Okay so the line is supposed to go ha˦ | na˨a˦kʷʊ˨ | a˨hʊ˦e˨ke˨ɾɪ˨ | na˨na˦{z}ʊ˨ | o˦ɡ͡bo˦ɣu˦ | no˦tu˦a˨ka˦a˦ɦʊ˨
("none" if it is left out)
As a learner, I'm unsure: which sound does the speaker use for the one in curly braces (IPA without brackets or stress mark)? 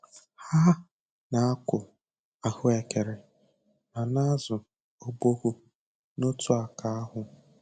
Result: z